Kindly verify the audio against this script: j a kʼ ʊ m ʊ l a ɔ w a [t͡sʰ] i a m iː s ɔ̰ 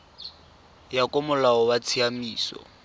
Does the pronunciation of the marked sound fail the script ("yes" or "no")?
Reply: no